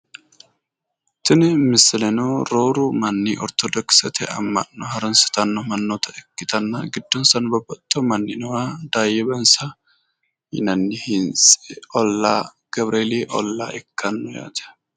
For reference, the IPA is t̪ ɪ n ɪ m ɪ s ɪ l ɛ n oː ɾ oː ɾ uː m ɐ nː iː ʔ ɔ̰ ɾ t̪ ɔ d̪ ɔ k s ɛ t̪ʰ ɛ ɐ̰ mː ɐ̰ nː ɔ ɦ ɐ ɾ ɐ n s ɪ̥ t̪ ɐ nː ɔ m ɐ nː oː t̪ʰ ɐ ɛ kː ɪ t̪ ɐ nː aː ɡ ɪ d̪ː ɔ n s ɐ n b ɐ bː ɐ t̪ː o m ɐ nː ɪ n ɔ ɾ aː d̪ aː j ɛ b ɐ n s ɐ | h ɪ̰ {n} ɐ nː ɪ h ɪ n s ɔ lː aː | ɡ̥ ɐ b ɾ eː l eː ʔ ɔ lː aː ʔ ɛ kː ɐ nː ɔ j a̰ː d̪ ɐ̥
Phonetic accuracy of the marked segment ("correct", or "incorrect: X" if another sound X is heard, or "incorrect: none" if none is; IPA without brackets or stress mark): correct